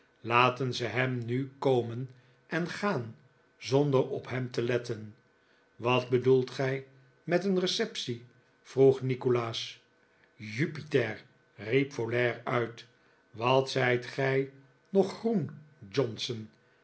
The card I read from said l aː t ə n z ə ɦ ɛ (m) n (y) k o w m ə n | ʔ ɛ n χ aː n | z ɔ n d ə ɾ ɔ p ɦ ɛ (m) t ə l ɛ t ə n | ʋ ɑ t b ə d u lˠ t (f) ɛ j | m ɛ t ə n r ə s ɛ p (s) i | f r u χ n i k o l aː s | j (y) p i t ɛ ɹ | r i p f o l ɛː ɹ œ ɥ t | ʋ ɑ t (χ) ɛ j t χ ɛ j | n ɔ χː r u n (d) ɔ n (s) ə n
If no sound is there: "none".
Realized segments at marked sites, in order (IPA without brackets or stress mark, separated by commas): m, y, m, χ, s, y, s, d͡ʒ, s